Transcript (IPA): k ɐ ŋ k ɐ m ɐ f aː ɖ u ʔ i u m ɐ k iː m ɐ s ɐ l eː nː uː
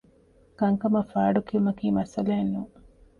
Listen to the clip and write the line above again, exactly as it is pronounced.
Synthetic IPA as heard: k ɐ ŋ k ɐ m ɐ f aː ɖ u k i u m ɐ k iː m ɐ s ɐ l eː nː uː